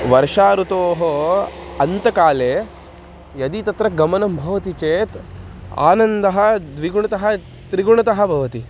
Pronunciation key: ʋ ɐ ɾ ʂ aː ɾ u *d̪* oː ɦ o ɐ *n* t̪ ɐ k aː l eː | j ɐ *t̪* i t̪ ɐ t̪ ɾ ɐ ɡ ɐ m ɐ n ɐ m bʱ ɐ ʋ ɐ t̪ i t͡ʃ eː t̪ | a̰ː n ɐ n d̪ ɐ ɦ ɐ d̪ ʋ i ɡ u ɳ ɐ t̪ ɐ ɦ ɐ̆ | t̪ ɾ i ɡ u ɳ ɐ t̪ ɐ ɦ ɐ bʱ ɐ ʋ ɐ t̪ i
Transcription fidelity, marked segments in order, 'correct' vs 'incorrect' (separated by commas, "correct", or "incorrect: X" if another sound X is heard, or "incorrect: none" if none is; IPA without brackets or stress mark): incorrect: t̪, correct, incorrect: d̪